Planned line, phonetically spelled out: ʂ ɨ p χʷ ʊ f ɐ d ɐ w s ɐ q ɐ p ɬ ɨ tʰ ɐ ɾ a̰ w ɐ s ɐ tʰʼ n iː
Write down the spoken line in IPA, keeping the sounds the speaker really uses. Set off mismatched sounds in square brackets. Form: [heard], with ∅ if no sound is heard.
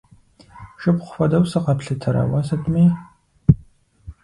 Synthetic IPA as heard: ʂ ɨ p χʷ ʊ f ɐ d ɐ w s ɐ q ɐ p ɬ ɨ tʰ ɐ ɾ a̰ w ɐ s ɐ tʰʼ [m] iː